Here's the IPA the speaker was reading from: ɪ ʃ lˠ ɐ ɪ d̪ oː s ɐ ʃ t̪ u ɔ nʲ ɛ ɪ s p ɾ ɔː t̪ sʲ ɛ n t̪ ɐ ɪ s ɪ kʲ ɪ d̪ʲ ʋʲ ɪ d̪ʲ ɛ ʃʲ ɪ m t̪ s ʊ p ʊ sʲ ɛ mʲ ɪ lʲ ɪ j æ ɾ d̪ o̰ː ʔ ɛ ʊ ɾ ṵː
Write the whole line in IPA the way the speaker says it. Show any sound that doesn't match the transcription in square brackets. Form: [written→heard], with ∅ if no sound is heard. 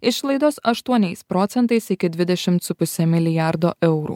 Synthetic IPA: ɪ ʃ lˠ ɐ ɪ d̪ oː s ɐ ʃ t̪ u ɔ nʲ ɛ ɪ s p ɾ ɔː t̪ sʲ ɛ n t̪ ɐ ɪ s ɪ kʲ ɪ d̪ʲ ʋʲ ɪ d̪ʲ ɛ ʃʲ ɪ m t̪ s ʊ p ʊ sʲ ɛ mʲ ɪ lʲ ɪ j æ ɾ d̪ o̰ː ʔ ɛ ʊ ɾ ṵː